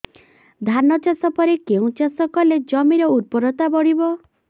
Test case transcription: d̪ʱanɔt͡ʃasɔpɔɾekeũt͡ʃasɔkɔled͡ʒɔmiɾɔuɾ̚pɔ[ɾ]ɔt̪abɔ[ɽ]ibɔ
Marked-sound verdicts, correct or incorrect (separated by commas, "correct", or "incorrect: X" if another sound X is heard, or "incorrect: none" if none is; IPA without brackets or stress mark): correct, correct